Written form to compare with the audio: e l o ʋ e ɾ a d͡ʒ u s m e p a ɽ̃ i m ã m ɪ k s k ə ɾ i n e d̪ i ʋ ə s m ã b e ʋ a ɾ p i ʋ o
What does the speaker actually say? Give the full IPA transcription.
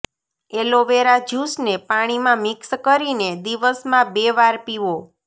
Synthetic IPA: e l o ʋ e ɾ a d͡ʒ u s n e p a ɽ̃ i m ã m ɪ k s k ə ɾ i n e d̪ i ʋ ə s m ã b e ʋ a ɾ p i ʋ o